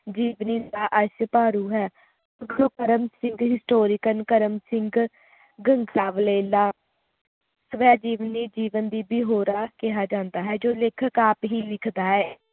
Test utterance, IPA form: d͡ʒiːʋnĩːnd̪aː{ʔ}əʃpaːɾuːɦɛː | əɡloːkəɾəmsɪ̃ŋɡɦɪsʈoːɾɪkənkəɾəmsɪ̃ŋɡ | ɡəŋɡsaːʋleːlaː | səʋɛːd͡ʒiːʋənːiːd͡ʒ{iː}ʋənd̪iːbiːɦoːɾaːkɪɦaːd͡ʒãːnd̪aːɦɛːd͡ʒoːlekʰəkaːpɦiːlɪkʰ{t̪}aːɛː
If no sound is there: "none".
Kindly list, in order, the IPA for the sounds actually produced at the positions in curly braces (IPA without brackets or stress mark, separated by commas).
ʔ, iː, d̪